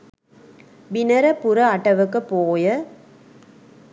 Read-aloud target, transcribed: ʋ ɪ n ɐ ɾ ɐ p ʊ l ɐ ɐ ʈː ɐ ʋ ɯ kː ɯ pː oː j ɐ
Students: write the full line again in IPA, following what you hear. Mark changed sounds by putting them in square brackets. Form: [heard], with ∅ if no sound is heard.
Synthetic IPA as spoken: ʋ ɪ n ɐ ɾ ɐ p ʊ [ɾ] ɐ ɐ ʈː ɐ ʋ ɯ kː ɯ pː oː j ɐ